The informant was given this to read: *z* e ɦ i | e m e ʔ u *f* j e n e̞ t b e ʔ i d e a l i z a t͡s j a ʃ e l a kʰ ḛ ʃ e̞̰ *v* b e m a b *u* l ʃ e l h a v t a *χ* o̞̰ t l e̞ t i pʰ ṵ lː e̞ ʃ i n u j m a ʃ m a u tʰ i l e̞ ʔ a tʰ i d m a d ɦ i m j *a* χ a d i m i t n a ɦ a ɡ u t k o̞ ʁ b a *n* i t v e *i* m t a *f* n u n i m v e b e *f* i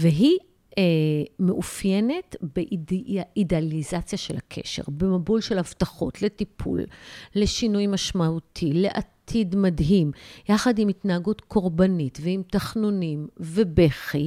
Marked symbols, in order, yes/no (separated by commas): no, yes, no, yes, yes, yes, yes, yes, no, no